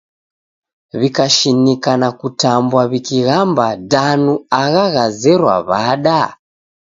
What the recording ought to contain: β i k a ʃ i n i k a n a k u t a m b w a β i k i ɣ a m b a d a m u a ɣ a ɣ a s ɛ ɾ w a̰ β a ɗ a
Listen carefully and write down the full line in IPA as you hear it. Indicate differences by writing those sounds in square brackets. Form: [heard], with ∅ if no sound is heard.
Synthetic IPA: β i k a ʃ i n i k a n a k u t a m b w a β i k i ɣ a m b a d a [n] u a ɣ a ɣ a [z] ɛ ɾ w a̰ β a ɗ a